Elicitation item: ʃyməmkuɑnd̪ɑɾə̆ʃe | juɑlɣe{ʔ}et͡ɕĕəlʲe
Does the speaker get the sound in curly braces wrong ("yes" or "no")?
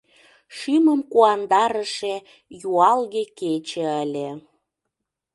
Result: yes